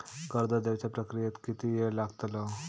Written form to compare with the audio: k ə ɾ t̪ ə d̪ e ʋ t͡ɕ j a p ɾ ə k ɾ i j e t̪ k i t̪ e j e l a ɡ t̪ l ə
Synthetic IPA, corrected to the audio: k ə ɾ d̪ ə d̪ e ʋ t͡ɕ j a p ɾ ə k ɾ i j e t̪ k i t̪ i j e l a ɡ t̪ l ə